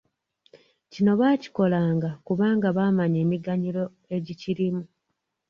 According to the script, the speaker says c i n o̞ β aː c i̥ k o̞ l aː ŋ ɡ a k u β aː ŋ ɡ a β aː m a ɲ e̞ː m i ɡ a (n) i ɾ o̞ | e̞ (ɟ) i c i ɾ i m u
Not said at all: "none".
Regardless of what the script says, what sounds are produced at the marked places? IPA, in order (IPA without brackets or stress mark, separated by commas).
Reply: ɲ, ɟ